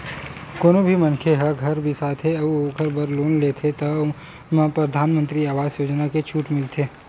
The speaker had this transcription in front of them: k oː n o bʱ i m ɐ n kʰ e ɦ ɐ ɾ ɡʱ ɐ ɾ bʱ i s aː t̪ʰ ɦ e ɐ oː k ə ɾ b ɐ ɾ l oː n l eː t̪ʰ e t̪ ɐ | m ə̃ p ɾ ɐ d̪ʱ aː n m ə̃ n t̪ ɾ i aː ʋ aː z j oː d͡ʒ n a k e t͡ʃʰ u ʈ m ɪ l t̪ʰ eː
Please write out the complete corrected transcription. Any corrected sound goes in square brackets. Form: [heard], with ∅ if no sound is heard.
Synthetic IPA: k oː n o bʱ i m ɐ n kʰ e ɦ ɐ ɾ ɡʱ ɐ ɾ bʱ i s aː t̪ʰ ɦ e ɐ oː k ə ɾ b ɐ ɾ l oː n l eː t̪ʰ e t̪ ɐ | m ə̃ p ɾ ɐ d̪ʱ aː n m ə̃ n t̪ ɾ i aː ʋ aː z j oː d͡ʒ n a k e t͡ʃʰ [uː] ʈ m ɪ l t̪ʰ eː